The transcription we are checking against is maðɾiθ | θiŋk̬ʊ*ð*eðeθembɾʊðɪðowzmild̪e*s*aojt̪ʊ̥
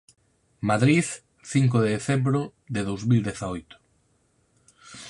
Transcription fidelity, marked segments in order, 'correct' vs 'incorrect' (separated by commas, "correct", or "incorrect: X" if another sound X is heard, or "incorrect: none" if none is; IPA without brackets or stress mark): correct, incorrect: θ